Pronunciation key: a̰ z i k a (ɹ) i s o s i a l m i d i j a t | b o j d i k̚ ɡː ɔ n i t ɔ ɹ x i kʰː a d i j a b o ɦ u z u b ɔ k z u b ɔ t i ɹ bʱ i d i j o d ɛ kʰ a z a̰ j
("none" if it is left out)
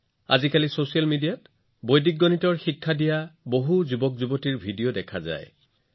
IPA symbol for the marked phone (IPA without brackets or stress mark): l